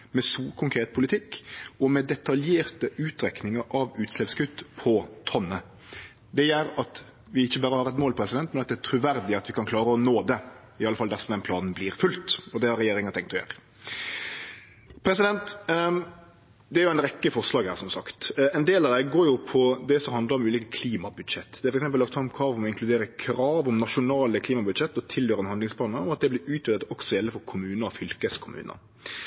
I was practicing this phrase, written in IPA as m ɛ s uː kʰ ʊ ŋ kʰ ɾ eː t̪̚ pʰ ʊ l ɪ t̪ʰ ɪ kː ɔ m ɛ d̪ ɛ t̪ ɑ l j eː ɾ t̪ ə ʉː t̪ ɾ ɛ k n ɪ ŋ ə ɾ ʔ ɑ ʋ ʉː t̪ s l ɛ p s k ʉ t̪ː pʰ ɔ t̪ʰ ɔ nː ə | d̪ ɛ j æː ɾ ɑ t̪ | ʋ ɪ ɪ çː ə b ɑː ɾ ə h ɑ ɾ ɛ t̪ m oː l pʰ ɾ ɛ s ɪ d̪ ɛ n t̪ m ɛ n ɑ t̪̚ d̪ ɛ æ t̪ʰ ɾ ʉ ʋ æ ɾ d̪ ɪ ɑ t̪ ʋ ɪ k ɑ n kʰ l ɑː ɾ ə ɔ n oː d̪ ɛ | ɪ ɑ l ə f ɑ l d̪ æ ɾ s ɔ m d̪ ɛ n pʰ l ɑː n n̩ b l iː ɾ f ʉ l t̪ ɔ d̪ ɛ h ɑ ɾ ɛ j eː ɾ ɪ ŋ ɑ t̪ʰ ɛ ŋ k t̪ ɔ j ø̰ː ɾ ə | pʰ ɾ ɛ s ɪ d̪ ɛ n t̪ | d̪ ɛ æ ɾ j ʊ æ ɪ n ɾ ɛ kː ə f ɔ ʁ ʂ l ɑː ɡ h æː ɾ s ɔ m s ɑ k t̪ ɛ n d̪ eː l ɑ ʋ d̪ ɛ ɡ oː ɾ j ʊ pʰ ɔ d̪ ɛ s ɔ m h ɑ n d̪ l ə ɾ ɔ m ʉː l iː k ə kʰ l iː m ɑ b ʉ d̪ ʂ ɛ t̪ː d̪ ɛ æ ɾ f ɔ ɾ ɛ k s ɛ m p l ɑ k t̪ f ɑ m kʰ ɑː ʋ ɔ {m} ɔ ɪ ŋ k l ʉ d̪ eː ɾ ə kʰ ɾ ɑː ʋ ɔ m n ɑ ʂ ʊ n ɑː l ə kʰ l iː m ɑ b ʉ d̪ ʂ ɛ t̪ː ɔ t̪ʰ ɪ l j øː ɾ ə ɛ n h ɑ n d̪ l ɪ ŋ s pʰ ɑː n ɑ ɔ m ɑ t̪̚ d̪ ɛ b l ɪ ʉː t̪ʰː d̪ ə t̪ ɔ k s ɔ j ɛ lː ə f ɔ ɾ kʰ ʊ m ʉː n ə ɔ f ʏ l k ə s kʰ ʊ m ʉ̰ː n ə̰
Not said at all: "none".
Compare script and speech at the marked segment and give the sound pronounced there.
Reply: m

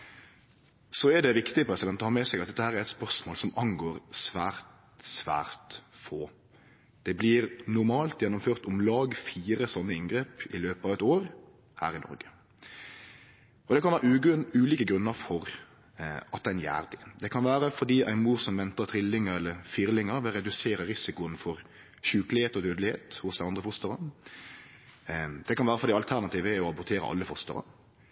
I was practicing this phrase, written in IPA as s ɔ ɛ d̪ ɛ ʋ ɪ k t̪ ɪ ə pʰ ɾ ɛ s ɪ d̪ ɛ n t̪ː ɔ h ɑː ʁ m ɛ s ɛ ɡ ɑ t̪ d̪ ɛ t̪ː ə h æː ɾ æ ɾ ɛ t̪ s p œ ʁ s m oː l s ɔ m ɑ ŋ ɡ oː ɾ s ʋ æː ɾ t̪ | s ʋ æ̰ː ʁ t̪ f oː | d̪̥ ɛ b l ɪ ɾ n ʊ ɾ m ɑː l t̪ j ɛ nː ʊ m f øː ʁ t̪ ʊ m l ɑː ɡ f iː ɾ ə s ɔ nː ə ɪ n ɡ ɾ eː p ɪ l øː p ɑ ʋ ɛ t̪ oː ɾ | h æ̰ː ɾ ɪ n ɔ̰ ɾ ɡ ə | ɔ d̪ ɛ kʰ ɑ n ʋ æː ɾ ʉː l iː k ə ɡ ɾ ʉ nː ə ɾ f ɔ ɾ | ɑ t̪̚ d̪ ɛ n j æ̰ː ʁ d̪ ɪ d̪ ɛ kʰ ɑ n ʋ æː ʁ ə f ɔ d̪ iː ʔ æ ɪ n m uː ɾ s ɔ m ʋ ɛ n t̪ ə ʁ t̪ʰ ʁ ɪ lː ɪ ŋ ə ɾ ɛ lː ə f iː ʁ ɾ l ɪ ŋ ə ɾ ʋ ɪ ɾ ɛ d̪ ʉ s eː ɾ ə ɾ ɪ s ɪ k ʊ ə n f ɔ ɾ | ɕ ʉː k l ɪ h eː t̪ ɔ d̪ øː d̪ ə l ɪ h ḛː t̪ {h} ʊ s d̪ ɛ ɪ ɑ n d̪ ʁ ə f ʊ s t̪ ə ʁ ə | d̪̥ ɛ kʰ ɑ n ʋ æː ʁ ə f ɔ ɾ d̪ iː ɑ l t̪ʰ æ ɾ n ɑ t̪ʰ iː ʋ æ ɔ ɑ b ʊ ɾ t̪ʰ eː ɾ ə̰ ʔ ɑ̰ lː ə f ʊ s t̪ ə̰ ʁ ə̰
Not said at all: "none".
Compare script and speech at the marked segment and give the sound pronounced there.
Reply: h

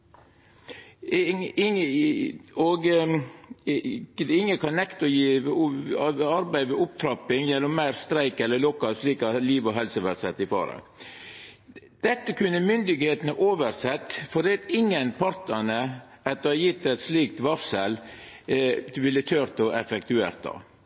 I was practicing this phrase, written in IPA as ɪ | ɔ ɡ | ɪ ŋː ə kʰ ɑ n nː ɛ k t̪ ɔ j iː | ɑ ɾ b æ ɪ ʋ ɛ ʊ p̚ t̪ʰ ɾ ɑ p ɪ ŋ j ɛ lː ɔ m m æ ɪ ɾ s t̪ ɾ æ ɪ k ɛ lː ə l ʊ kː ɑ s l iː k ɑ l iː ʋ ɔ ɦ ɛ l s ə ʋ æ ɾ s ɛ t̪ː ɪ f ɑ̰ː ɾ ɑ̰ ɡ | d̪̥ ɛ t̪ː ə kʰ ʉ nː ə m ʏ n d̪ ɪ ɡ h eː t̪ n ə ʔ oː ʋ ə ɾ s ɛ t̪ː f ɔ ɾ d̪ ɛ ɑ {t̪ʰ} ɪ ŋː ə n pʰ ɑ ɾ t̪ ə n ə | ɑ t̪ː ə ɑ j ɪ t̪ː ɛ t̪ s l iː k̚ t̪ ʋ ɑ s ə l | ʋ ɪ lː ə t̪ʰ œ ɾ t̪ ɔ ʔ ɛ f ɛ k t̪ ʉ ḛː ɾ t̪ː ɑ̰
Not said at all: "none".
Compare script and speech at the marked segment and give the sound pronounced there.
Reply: t̪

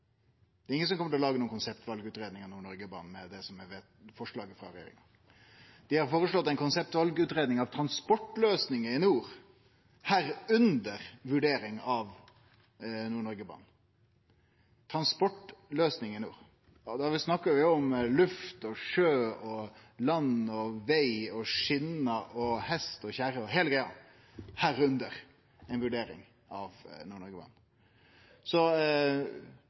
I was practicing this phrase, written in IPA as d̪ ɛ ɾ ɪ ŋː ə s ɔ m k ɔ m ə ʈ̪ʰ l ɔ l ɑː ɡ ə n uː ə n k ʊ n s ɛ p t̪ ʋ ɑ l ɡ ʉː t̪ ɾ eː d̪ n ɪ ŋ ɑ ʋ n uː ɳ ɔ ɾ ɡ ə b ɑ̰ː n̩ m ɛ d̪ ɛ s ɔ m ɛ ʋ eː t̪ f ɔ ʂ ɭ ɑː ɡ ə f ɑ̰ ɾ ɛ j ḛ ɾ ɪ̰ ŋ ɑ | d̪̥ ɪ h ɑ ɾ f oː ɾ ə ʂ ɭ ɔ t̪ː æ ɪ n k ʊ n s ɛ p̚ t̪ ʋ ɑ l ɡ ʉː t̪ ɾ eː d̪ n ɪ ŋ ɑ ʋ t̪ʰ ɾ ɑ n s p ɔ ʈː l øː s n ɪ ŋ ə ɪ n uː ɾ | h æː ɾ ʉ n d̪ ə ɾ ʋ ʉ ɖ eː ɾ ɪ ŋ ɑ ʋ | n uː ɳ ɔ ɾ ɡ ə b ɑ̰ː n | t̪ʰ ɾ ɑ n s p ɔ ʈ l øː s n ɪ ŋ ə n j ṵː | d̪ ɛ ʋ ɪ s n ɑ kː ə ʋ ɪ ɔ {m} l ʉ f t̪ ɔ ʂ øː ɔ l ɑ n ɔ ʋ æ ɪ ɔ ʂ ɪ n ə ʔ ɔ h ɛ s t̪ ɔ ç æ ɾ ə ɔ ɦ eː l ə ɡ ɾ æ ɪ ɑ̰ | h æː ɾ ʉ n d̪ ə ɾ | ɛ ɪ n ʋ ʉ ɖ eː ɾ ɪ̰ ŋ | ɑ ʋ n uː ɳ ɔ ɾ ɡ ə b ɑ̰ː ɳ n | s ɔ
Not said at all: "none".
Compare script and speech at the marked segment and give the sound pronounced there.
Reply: m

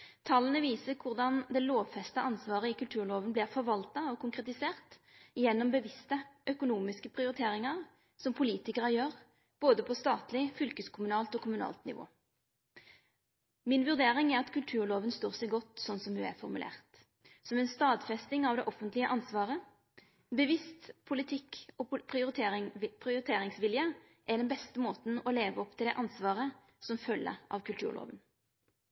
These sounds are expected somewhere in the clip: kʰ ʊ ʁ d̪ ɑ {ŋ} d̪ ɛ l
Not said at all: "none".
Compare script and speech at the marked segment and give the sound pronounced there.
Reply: n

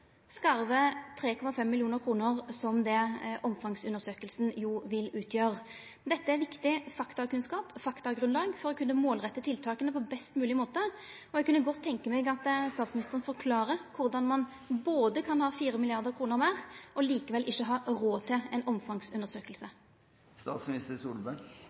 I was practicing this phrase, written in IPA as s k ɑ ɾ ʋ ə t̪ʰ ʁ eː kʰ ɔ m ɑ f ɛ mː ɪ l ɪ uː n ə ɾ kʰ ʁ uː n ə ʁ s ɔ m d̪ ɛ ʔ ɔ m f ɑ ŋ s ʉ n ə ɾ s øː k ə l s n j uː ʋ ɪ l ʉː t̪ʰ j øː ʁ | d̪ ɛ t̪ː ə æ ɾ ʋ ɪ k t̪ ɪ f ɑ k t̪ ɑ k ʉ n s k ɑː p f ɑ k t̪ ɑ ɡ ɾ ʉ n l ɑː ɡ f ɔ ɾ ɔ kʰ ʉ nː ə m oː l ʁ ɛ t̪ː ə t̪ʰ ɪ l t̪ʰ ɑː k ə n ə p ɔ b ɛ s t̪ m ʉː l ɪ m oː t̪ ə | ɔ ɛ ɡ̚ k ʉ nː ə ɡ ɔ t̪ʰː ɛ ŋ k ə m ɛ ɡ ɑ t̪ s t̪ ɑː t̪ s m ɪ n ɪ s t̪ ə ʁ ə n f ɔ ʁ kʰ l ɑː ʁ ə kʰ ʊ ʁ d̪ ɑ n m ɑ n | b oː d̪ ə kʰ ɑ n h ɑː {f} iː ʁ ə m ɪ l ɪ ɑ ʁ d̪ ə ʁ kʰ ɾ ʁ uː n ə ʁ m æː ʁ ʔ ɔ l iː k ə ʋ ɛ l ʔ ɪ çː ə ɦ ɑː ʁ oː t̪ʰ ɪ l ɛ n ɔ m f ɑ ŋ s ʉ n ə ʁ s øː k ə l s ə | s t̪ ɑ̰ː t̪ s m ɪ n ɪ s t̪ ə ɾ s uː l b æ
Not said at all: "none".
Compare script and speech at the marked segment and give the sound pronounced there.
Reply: f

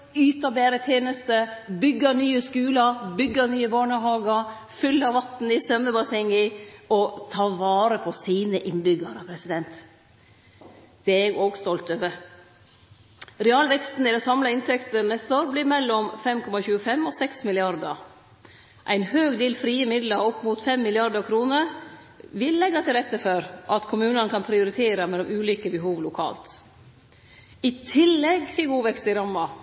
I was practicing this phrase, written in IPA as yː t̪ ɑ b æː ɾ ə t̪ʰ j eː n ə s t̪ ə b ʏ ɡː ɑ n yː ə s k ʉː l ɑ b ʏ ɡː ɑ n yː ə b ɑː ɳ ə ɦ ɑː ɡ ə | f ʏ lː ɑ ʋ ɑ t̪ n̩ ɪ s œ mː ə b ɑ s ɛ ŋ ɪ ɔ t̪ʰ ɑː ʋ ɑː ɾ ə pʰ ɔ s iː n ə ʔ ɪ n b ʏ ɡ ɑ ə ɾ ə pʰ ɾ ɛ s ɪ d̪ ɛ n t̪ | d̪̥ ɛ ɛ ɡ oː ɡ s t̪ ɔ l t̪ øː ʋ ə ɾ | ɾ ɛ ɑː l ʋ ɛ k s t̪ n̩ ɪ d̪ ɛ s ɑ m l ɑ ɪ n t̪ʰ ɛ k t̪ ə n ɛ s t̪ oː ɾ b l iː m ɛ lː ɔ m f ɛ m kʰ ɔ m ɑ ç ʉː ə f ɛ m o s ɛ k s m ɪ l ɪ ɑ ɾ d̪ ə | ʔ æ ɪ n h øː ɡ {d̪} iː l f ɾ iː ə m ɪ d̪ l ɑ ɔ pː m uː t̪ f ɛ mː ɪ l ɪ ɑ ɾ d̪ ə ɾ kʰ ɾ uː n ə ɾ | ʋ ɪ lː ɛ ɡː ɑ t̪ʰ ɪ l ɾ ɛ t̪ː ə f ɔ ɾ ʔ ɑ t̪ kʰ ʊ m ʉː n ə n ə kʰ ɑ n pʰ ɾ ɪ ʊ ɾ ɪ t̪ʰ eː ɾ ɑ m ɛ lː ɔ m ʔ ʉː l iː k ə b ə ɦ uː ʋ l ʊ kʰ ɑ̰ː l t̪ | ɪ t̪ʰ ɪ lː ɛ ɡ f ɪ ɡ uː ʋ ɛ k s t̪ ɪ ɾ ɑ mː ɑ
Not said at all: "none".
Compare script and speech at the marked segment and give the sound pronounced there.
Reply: d̪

